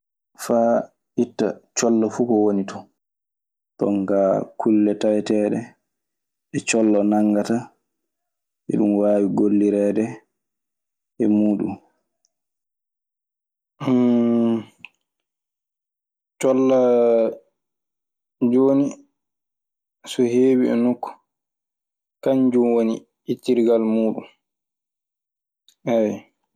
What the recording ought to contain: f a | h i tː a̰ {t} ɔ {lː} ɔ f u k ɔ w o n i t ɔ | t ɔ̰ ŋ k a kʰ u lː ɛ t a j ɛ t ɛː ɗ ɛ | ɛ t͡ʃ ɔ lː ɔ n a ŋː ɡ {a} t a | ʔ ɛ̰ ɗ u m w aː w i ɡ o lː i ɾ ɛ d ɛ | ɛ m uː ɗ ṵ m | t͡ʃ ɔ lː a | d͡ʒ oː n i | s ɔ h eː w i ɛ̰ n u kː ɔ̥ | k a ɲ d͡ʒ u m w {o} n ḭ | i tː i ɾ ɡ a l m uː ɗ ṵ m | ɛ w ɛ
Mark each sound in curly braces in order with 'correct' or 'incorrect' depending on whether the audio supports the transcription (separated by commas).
incorrect, correct, correct, correct